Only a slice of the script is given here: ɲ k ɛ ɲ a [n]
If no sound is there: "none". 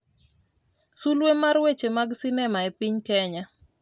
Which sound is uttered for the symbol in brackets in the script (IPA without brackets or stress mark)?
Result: none